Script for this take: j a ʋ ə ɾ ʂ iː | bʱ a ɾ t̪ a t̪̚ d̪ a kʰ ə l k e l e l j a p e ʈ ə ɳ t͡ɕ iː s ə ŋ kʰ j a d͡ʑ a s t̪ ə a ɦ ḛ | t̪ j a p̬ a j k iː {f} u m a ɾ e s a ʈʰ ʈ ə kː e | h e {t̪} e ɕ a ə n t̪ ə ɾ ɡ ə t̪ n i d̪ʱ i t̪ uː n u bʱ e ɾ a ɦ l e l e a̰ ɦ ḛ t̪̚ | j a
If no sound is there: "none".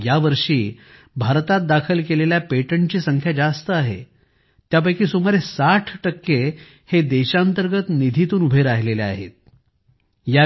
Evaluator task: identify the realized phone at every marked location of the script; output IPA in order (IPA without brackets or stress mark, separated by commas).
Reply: s, d̪